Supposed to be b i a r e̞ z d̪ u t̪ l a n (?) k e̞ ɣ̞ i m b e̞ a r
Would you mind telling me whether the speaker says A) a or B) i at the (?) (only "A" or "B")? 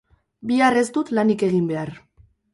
B